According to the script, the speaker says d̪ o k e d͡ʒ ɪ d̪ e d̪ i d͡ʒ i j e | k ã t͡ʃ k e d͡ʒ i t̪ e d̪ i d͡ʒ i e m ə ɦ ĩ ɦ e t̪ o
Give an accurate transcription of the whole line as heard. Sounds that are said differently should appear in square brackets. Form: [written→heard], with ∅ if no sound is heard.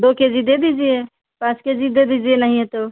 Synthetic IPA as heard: d̪ o k e d͡ʒ [ɪ→i] d̪ e d̪ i d͡ʒ i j e | [k→p] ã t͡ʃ k e d͡ʒ i [t̪→d̪] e d̪ i d͡ʒ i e [m→n] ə ɦ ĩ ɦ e t̪ o

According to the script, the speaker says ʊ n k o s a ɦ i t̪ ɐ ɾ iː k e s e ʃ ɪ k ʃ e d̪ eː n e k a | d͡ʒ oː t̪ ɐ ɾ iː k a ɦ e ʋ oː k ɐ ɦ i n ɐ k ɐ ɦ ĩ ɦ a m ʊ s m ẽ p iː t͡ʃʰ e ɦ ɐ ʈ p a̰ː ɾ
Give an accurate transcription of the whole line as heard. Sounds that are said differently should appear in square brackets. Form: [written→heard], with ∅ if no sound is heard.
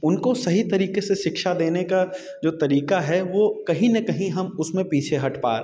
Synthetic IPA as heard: ʊ n k o s [a→ɐ] ɦ i t̪ ɐ ɾ iː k e s e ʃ ɪ k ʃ [e→a] d̪ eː n e k a | d͡ʒ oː t̪ ɐ ɾ iː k a ɦ [e→ɛ] ʋ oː k ɐ ɦ [i→ĩ] n ɐ k ɐ ɦ ĩ ɦ [a→ɐ] m ʊ s m ẽ p iː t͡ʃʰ e ɦ ɐ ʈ p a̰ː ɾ

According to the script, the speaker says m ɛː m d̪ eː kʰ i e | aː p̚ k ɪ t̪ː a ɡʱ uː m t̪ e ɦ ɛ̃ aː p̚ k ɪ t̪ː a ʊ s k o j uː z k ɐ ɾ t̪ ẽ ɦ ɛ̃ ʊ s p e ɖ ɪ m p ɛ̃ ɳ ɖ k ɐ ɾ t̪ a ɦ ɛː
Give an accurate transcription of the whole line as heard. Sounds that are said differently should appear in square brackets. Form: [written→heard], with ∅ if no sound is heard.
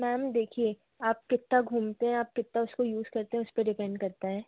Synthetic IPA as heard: m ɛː m d̪ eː kʰ i e | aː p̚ k ɪ t̪ː a ɡʱ uː m t̪ e ɦ ɛ̃ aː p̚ k ɪ t̪ː a ʊ s k o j uː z k ɐ ɾ t̪ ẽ ɦ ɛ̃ ʊ s p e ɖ ɪ [m→∅] p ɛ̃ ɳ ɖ k ɐ ɾ t̪ a ɦ ɛː

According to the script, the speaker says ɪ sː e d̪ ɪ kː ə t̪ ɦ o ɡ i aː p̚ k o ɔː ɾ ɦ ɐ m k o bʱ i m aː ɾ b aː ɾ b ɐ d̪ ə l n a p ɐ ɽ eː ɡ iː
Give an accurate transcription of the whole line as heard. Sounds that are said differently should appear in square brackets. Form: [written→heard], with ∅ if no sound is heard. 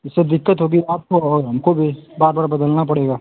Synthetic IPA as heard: ɪ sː e d̪ ɪ kː ə t̪ ɦ o ɡ i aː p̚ k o ɔː ɾ ɦ ɐ m k o bʱ i [m→b] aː ɾ b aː ɾ b ɐ d̪ ə l n a p ɐ ɽ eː ɡ [iː→aː]

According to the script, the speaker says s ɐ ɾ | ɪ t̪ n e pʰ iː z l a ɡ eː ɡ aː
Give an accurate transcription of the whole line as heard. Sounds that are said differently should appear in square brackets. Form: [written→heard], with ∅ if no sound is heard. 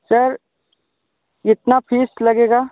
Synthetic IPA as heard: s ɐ ɾ | ɪ t̪ n [e→a] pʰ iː [z→s] l [a→ɐ] ɡ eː ɡ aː

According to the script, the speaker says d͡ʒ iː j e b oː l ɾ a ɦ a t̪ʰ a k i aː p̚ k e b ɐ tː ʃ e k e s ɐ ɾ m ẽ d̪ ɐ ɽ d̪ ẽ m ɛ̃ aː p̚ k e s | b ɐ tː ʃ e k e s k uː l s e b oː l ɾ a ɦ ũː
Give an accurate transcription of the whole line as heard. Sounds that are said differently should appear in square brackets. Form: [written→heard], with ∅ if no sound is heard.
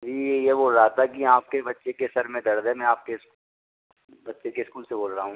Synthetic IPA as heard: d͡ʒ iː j e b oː l ɾ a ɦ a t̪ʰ a k i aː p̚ k e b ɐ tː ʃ e k e s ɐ ɾ m ẽ d̪ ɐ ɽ d̪ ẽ m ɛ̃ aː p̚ k e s | b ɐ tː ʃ e k e s k uː l s e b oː l ɾ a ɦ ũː

